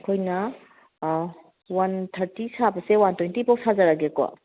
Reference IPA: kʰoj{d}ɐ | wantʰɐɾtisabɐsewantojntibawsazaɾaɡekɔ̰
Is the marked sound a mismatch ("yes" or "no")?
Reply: yes